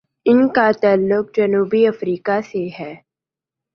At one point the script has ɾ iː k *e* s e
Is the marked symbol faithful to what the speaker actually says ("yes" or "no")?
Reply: no